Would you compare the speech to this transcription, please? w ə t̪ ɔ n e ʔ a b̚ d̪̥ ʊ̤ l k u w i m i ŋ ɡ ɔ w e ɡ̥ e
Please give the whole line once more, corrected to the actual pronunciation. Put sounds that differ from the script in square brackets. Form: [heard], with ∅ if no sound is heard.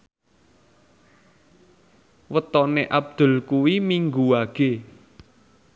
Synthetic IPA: w ə t̪ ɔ n e ʔ a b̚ d̪̥ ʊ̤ l k u w i m i ŋ ɡ [u] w [a] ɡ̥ e